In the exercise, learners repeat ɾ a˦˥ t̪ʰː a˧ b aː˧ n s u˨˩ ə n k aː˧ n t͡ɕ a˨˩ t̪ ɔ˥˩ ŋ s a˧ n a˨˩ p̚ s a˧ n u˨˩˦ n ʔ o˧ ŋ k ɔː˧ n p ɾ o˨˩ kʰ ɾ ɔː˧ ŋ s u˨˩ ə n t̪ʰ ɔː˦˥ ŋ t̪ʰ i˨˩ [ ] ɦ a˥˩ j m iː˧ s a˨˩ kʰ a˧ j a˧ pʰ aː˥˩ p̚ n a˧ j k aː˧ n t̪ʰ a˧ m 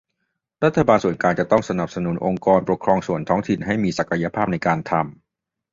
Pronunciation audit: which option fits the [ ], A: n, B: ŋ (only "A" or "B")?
A